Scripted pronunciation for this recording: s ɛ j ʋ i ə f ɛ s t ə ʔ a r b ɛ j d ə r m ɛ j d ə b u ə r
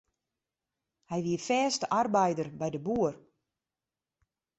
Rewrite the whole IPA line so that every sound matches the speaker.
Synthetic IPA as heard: h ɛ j ʋ i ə f ɛː s t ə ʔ a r b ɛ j d ə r b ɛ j d ə b u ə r